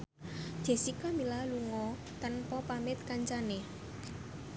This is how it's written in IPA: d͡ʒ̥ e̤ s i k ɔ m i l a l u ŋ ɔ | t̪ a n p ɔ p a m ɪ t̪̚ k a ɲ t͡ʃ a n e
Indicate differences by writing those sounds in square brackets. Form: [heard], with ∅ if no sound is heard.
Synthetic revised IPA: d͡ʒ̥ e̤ s i k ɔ m i l a l u ŋ ɔ | t̪ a n p ɔ p a m ɪ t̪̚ k a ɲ t͡ʃ a n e